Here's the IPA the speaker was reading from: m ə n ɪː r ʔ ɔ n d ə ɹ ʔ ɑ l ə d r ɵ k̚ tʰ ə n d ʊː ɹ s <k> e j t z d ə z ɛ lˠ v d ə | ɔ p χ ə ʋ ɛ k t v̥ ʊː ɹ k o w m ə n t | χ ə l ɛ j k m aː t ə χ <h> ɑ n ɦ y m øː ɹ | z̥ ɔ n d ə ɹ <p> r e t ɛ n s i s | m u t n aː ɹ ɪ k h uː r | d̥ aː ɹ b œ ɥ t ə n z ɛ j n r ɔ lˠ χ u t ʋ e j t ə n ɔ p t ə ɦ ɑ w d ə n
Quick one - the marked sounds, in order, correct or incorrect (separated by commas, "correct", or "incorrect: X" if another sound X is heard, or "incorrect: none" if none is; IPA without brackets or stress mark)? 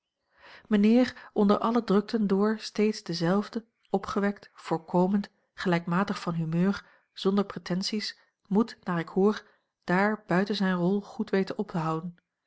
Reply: incorrect: t, incorrect: f, correct